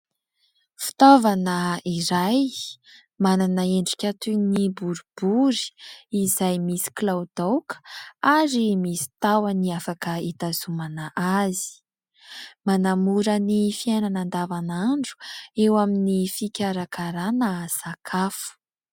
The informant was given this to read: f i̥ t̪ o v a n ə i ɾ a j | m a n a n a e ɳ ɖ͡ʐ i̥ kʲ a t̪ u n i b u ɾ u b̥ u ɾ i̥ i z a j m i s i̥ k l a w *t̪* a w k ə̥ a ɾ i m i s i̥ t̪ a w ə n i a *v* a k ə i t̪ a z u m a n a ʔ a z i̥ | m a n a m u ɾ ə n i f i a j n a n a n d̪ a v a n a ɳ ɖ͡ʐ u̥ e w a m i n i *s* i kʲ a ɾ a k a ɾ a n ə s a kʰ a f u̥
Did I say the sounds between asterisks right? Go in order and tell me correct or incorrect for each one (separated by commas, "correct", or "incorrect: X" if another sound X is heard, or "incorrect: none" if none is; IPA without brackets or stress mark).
incorrect: d̪, incorrect: f, incorrect: f